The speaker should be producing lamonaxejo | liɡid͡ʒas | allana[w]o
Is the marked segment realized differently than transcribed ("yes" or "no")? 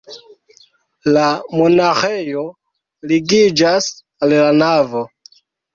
yes